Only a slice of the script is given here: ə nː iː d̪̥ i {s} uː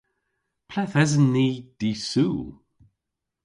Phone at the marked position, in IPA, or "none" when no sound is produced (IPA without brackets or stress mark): s